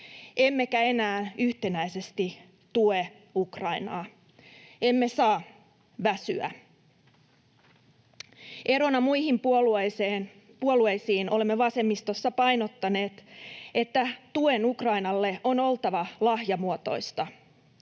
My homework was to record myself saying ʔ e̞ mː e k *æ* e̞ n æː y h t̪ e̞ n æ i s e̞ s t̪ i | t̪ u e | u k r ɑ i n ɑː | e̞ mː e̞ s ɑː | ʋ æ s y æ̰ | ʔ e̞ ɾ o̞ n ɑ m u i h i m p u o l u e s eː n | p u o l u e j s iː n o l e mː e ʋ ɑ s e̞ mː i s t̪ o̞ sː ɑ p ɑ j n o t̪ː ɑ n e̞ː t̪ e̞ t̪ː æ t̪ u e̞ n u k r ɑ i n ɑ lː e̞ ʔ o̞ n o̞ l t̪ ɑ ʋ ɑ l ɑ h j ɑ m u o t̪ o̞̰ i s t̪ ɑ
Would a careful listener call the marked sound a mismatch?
no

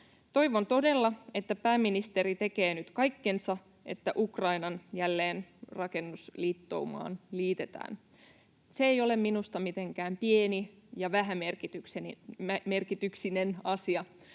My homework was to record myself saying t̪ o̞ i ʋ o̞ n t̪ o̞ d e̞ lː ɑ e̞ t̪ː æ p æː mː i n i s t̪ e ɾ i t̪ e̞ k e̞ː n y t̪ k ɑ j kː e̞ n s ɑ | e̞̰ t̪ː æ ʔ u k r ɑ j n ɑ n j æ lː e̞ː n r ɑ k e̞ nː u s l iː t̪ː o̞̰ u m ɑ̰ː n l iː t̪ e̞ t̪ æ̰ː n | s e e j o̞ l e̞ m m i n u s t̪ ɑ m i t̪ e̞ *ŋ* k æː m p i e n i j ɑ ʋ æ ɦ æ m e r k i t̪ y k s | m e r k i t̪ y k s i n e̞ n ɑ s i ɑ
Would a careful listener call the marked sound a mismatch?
no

